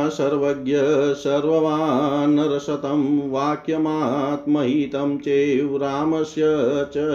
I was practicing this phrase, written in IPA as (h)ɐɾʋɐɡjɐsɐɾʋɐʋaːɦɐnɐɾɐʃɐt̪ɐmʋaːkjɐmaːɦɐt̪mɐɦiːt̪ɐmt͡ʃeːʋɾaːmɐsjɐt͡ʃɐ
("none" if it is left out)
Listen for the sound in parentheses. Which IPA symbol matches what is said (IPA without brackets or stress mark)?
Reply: s